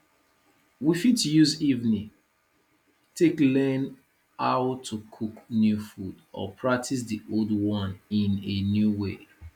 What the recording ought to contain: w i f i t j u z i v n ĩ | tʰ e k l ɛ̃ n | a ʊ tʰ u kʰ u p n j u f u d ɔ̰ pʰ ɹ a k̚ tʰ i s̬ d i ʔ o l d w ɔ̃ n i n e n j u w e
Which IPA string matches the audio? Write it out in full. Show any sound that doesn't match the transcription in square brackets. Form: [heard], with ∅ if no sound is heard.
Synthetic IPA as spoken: w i f i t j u z i v n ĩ | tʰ e k l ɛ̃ n | a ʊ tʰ u kʰ u [k] n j u f u d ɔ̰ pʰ ɹ a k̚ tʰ i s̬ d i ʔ o l d w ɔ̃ n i n e n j u w e

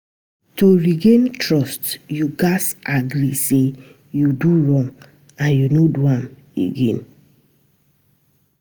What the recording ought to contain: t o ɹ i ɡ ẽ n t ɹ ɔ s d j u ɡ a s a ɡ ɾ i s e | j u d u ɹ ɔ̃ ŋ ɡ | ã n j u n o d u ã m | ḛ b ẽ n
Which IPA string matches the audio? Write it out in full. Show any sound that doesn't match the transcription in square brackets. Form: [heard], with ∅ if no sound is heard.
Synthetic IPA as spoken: t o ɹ i ɡ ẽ n t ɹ ɔ s [t] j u ɡ a s a ɡ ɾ i s e | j u d u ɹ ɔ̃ ŋ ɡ | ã n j u n o d u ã m | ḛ [ɡ] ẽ n

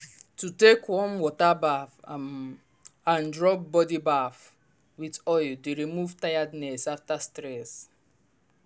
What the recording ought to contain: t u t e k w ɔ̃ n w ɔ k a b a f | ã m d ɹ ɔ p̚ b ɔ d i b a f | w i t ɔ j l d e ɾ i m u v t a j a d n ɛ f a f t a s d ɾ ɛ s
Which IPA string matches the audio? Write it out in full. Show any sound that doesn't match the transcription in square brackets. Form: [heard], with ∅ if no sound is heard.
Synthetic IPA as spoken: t u t e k w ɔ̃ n w ɔ [t] a b a f | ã [n] d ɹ ɔ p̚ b ɔ d i b a f | w i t ɔ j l d e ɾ i m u v t a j a d n ɛ [s] a f t a s [t] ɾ ɛ s

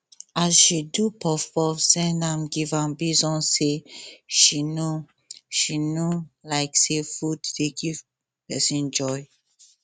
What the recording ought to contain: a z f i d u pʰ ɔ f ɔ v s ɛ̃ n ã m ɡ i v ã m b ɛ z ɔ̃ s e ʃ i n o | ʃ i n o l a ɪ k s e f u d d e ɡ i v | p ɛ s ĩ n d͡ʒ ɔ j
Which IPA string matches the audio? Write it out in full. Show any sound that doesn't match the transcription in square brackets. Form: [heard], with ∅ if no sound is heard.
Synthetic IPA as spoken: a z [ʃ] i d u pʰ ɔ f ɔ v s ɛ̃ n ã m ɡ i v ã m b [i] z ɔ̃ s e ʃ i n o | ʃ i n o l a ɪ k s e f u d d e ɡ i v | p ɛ s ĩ n d͡ʒ ɔ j

